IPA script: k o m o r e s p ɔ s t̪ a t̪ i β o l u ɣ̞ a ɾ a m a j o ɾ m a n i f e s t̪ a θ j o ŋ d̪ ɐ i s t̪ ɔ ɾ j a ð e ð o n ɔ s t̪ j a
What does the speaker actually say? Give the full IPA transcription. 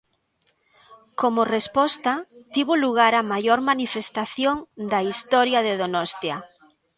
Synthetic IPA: k o m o r e s p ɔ s t̪ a t̪ i β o l u ɣ̞ a ɾ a m a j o ɾ m a n i f e s t̪ a θ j o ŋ d̪ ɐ i s t̪ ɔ ɾ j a ð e ð o n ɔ s t̪ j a